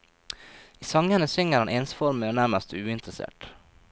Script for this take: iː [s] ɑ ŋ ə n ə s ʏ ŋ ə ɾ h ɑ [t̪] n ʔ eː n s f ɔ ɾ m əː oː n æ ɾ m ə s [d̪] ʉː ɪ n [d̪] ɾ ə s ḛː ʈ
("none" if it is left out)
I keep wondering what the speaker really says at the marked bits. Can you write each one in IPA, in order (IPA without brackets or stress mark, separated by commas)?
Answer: s, none, t̪, t̪